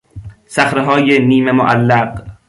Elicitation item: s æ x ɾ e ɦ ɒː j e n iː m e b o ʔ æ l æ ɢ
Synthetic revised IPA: s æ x ɾ e ɦ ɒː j e n iː m e m o ʔ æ lː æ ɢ